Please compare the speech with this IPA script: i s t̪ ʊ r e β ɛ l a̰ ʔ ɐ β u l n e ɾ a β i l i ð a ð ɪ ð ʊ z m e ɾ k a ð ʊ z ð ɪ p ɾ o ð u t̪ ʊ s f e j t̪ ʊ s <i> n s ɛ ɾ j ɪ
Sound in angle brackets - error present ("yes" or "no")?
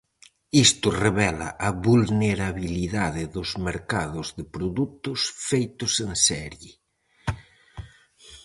yes